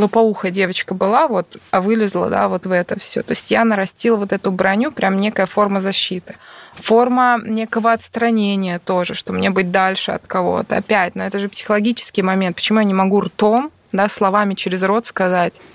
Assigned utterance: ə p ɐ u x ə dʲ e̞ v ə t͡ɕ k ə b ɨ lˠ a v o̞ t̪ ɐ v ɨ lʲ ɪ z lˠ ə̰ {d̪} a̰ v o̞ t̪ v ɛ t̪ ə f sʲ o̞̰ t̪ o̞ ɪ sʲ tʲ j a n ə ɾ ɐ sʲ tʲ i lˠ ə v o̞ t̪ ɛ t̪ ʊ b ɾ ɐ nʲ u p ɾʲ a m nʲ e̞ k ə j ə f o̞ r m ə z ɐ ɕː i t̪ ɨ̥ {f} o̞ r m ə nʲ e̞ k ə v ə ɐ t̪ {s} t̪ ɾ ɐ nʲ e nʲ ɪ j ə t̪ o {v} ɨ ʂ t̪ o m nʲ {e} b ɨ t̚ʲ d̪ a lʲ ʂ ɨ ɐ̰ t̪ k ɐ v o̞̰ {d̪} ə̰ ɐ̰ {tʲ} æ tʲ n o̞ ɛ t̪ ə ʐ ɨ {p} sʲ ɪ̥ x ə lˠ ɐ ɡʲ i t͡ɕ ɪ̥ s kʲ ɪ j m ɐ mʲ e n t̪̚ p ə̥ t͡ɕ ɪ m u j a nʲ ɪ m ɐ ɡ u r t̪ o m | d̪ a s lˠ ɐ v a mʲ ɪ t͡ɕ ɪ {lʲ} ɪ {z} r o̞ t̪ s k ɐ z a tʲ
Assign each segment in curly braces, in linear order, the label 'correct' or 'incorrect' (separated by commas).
correct, correct, correct, incorrect, correct, incorrect, incorrect, correct, incorrect, correct